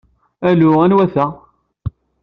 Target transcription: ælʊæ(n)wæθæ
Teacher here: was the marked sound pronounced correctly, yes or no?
yes